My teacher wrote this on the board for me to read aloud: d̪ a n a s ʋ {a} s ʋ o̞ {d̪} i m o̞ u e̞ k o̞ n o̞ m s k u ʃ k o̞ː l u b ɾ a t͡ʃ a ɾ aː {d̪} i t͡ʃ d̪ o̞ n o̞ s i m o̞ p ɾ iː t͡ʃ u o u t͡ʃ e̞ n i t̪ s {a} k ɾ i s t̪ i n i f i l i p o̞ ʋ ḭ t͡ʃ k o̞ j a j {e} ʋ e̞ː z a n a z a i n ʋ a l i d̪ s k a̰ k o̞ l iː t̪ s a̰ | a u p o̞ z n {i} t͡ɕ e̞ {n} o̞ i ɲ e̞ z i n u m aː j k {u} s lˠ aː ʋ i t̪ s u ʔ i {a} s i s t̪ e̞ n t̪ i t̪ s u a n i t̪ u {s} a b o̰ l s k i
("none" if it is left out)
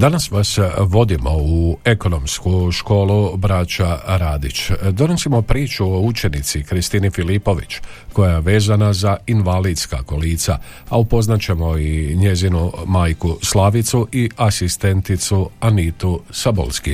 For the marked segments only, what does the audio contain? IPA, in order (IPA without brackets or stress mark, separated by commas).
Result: a, d̪, d̪, i, e, a, m, u, a, s